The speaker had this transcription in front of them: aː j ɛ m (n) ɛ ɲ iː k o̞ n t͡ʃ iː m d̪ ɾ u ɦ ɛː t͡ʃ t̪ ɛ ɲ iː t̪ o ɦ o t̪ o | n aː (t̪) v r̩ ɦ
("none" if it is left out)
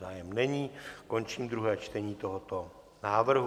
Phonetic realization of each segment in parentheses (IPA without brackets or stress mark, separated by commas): n, none